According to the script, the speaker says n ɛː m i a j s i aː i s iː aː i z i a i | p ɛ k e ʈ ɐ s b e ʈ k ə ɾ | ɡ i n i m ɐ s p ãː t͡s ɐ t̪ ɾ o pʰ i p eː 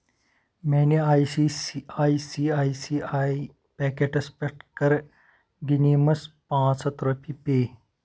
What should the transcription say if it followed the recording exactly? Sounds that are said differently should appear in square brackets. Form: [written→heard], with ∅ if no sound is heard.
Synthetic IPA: [n→m] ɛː [m→n] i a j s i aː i s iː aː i [z→s] i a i | p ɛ k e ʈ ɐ s [b→p] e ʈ k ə ɾ | ɡ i n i m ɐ s p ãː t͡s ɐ t̪ ɾ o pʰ i p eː